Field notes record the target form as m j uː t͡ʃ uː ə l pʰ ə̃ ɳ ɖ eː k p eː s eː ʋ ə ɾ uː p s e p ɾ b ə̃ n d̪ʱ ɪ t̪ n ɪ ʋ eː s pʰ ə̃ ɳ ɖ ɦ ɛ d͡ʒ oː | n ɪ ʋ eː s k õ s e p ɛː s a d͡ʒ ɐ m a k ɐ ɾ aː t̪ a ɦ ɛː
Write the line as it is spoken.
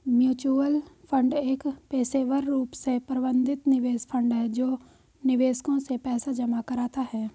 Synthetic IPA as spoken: m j uː t͡ʃ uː ə l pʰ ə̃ ɳ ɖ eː k p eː s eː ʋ ə ɾː uː p s e p ɾ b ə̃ n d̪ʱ ɪ t̪ n ɪ ʋ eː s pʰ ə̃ ɳ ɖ ɦ ɛ d͡ʒ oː | n ɪ ʋ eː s k õ s e p ɛː s a d͡ʒ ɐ m a k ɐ ɾ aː t̪ a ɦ ɛː